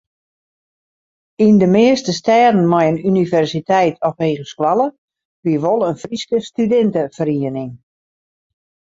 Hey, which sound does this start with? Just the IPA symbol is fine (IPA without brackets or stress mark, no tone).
i